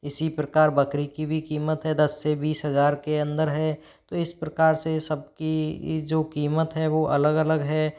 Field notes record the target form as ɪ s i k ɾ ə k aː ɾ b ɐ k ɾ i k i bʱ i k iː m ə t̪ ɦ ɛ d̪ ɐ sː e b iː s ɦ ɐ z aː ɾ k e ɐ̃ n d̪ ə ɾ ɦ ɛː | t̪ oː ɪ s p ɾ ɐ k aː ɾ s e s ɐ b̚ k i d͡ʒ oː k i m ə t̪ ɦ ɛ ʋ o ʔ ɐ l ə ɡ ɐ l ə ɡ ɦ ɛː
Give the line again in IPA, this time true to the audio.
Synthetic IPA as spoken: ɪ s i p ɾ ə k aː ɾ b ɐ k ɾ i k i bʱ i k iː m ə t̪ ɦ ɛ d̪ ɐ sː e b iː s ɦ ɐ z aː ɾ k e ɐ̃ n d̪ ə ɾ ɦ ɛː | t̪ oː ɪ s p ɾ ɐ k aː ɾ s e s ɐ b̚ k i d͡ʒ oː k iː m ə t̪ ɦ ɛ ʋ o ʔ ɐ l ə ɡ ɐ l ə ɡ ɦ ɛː